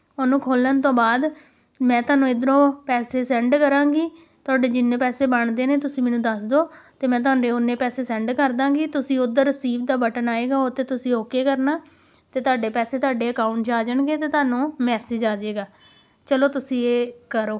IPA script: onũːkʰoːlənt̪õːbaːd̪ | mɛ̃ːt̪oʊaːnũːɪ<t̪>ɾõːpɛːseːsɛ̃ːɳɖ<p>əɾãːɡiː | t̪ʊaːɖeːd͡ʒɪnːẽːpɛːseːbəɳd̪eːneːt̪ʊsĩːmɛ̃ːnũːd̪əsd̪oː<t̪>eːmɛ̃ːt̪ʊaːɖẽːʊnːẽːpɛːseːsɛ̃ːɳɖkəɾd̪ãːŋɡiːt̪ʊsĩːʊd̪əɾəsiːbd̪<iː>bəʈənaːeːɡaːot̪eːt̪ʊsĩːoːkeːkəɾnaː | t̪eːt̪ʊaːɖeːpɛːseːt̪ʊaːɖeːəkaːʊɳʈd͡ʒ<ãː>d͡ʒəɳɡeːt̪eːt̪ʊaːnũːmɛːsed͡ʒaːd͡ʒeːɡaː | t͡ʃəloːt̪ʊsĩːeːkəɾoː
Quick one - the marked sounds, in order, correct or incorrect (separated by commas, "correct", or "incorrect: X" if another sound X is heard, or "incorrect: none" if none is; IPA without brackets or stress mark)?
incorrect: d̪, incorrect: k, correct, incorrect: aː, incorrect: aː